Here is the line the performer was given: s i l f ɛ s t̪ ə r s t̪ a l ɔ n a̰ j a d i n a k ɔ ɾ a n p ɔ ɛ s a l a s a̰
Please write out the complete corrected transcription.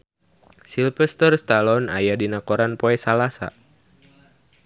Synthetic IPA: s i l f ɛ s t̪ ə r s t̪ a l ɔ n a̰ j a d i n a k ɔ ɾ a n p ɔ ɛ s a l a s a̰